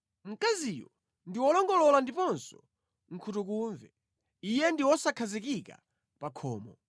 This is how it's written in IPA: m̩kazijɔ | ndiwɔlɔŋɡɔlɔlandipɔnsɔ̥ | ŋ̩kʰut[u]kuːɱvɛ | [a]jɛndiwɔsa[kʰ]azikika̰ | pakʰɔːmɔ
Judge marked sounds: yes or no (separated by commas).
yes, no, yes